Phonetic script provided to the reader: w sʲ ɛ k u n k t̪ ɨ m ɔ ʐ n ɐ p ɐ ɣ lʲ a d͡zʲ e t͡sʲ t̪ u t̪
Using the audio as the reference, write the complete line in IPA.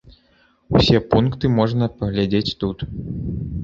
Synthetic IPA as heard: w sʲ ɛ p u n k t̪ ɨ m ɔ ʐ n ɐ p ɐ ɣ lʲ a d͡zʲ e t͡sʲ t̪ u t̪